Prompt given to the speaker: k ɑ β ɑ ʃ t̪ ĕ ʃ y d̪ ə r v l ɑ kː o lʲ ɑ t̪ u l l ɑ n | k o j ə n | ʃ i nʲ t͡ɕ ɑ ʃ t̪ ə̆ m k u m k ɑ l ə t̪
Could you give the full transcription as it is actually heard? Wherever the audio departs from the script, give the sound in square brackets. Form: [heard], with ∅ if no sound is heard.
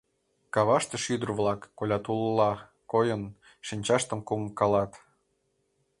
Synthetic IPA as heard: k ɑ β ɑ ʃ t̪ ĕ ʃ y d̪ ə r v l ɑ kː o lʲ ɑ t̪ u l l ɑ [∅] | k o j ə n | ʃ i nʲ t͡ɕ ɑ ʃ t̪ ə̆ m k u m k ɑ l [ɑ] t̪